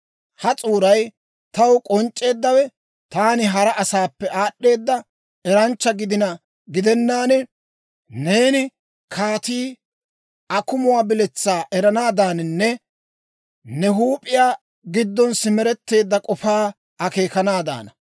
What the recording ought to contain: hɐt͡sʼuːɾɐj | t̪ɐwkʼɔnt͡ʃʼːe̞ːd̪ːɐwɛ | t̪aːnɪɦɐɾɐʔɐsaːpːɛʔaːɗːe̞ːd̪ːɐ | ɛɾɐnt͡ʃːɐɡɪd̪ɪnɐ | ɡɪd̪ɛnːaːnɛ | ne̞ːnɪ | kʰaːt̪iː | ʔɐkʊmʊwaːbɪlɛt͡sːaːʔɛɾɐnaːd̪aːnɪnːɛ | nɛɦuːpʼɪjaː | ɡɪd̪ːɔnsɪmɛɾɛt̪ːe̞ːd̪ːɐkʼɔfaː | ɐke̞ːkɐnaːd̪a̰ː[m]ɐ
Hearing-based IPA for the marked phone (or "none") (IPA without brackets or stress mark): n